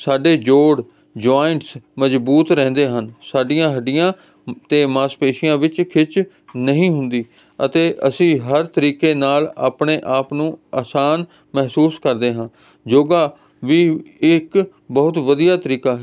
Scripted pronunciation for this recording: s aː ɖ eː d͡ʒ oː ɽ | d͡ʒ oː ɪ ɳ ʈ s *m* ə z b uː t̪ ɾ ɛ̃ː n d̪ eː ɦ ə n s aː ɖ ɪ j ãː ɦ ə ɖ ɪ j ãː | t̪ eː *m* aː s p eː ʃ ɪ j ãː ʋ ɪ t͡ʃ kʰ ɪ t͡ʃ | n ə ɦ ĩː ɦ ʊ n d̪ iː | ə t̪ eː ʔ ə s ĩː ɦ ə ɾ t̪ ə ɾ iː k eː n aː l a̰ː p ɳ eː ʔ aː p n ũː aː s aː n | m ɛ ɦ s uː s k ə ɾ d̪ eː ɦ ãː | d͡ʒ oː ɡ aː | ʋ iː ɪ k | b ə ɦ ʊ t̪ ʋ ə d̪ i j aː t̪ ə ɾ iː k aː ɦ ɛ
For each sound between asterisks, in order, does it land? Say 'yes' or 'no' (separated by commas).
yes, yes